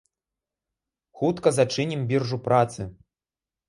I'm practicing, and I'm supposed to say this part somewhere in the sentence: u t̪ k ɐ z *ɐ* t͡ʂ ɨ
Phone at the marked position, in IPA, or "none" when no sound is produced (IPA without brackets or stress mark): a